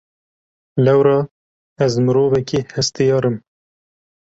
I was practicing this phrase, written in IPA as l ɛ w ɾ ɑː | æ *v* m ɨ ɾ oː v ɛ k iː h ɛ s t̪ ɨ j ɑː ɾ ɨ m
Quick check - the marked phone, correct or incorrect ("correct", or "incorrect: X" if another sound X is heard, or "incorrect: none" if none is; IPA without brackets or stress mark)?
incorrect: z